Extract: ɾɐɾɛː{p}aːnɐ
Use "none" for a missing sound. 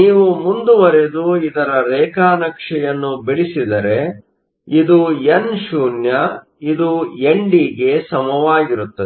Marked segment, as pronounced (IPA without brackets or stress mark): k